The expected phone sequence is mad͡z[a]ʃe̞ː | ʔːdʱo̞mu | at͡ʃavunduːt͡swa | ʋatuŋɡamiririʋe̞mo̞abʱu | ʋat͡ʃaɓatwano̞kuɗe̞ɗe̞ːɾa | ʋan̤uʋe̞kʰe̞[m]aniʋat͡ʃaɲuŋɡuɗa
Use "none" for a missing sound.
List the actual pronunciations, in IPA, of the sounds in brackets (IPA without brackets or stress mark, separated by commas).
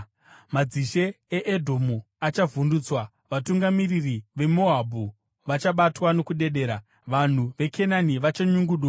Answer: i, n